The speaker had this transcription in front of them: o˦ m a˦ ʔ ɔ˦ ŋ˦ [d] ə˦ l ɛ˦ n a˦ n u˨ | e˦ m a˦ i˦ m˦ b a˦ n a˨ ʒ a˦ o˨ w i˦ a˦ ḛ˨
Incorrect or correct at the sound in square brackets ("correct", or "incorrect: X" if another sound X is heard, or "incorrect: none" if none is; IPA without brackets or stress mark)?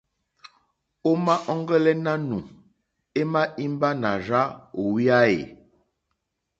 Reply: incorrect: ɡ